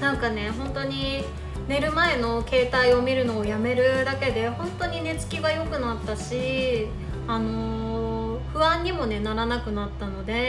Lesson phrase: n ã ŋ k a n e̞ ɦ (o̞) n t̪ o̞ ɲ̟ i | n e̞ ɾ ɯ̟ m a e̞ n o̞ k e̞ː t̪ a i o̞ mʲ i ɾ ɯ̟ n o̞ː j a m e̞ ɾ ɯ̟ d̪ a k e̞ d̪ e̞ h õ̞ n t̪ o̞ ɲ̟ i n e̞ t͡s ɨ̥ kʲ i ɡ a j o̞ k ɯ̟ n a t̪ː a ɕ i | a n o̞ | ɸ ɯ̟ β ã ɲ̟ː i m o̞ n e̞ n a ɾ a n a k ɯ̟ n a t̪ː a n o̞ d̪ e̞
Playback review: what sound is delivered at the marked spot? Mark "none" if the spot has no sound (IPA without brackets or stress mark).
õ̞